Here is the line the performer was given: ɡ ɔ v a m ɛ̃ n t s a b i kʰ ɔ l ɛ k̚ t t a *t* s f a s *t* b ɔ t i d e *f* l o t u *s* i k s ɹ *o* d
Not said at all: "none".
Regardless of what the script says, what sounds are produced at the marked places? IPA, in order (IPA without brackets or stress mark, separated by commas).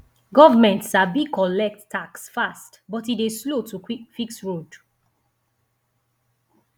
k, t, s, f, o